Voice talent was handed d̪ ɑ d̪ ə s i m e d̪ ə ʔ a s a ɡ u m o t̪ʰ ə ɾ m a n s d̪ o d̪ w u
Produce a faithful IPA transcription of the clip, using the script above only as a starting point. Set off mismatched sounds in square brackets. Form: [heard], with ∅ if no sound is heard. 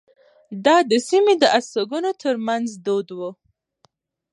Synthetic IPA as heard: d̪ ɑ d̪ ə s i m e d̪ ə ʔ a s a ɡ u [n] o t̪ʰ ə ɾ m a n [z] d̪ o d̪ w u

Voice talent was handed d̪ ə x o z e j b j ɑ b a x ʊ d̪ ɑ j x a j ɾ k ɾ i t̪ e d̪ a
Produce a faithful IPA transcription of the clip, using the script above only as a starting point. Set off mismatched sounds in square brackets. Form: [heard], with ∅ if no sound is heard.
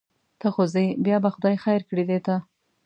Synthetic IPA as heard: [t̪] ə x o z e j b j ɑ b a x ʊ d̪ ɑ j x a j ɾ k [ɽ] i [d̪] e [t̪] a

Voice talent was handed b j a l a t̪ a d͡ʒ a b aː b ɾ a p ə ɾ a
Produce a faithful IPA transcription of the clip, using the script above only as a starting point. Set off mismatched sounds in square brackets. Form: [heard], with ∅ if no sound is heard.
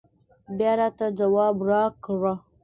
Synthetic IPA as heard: b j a [ɾ] a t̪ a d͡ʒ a [w] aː b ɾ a [k] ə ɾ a

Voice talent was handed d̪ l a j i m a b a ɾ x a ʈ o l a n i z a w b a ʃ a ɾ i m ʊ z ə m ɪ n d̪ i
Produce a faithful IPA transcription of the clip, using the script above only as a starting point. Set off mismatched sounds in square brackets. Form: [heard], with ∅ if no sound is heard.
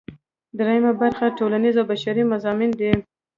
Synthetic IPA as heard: d̪ [ɾ] a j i m a b a ɾ x a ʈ o l a n i z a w b a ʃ a ɾ i m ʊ z [ɑ] m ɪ n d̪ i

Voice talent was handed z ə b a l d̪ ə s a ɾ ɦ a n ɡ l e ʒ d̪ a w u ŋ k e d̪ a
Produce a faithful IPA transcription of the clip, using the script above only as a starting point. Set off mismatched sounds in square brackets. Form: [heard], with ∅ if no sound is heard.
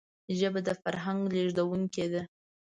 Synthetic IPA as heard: [ʒ] ə b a [∅] d̪ ə [f] a ɾ ɦ a [ŋ] ɡ l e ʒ d̪ a w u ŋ k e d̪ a

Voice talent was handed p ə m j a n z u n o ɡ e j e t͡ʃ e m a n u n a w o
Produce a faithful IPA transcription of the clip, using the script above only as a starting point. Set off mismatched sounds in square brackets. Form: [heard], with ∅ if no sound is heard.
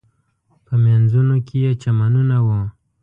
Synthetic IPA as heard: p ə m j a n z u n o [k] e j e t͡ʃ [a] m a n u n a w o

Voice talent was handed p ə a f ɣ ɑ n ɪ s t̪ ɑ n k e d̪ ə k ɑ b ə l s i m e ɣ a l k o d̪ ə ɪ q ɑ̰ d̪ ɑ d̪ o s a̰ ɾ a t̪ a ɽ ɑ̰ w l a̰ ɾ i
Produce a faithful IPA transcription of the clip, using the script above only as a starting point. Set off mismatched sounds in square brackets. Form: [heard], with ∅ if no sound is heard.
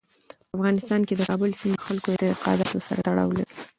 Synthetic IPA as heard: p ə a f ɣ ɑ n ɪ s t̪ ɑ n k e d̪ ə k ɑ b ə l s i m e [x] a l k o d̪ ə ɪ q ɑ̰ d̪ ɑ [t̪] o s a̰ ɾ a t̪ a ɽ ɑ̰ w l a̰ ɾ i

